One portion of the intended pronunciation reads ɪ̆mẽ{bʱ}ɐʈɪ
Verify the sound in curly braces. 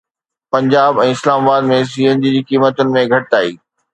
incorrect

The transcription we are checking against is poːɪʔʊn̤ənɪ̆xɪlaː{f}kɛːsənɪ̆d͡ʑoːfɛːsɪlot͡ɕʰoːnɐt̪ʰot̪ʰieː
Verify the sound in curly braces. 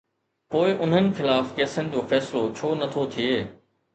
correct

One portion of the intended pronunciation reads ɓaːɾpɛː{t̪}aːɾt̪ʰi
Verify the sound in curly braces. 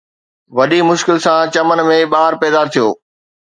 incorrect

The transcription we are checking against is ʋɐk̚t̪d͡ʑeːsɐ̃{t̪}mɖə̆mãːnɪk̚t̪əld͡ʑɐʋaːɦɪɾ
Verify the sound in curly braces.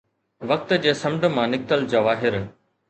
incorrect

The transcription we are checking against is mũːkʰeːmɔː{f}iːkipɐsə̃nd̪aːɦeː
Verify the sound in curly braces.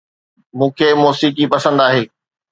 incorrect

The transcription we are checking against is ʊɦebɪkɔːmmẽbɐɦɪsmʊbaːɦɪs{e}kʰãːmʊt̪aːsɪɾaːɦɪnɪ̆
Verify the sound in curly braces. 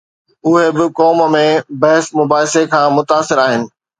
correct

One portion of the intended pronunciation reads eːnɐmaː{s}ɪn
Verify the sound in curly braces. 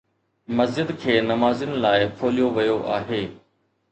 incorrect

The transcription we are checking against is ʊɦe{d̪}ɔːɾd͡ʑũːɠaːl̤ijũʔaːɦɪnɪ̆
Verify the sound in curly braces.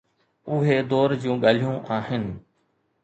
correct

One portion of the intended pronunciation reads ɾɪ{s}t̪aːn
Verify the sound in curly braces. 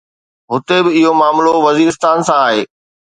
correct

